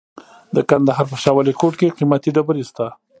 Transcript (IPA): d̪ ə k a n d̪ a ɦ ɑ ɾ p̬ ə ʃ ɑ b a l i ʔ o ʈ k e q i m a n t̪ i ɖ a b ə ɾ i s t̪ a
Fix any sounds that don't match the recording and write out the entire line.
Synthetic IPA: d̪ ə k a n d̪ a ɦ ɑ ɾ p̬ ə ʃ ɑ w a l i k o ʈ k e q i m a t̪ i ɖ a b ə ɾ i s t̪ a